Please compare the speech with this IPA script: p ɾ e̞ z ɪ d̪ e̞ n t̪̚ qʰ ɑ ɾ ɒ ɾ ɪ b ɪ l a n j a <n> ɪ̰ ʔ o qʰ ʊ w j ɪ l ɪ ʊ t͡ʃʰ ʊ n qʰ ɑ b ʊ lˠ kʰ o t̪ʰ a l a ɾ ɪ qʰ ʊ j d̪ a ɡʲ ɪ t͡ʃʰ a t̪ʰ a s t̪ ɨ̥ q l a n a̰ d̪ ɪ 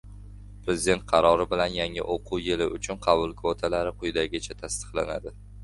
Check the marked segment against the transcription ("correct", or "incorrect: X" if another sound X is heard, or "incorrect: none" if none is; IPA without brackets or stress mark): incorrect: ŋ